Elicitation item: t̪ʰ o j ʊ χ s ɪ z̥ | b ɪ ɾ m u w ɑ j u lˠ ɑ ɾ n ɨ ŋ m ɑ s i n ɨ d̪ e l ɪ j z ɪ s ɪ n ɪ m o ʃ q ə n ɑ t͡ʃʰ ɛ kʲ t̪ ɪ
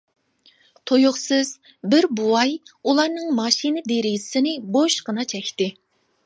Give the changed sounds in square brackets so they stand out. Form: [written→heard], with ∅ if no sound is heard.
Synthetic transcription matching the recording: t̪ʰ o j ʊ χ s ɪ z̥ | b ɪ ɾ [m→b] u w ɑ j u lˠ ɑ ɾ n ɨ ŋ m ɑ [s→ʃ] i n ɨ d̪ e [l→ɾ] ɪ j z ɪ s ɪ n ɪ [m→b] o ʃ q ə n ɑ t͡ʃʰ ɛ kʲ t̪ ɪ